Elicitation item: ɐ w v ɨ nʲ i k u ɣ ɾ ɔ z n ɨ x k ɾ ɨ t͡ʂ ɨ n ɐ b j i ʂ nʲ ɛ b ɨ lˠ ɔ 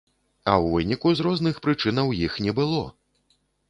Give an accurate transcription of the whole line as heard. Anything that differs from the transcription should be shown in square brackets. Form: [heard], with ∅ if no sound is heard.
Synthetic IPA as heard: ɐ w v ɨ nʲ i k u [z] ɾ ɔ z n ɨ x [p] ɾ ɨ t͡ʂ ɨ n ɐ [w] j i [x] nʲ ɛ b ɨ lˠ ɔ